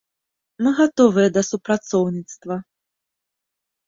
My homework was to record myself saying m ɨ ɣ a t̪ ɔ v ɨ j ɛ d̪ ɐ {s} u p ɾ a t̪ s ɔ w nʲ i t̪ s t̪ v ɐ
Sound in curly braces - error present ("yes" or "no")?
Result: no